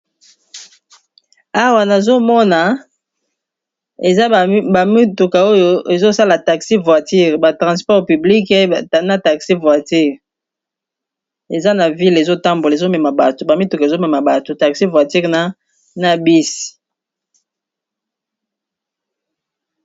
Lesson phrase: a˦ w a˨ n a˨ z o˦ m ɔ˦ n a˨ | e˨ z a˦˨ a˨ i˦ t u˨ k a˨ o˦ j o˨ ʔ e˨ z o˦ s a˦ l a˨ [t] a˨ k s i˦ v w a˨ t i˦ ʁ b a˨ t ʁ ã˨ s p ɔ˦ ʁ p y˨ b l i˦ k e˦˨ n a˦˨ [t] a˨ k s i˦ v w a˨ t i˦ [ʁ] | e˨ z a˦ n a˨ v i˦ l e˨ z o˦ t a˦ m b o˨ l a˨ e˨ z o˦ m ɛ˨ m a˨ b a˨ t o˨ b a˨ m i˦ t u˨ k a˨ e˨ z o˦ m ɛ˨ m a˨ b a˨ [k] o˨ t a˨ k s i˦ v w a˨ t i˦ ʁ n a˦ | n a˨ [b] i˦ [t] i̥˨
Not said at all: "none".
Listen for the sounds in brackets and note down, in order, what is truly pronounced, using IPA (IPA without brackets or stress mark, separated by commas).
t, t, ʁ, t, b, s